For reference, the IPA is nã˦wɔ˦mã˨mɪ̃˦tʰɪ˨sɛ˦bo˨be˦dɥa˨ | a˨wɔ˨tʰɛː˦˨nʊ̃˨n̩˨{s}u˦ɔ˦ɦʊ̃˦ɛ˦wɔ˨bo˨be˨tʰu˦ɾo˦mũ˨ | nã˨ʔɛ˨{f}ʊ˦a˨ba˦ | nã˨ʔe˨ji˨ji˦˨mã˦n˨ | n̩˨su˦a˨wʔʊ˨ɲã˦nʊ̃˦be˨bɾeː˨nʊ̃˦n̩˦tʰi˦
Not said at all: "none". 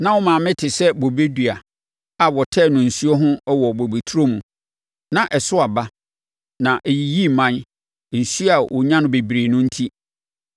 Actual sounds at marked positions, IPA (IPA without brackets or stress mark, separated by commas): s, s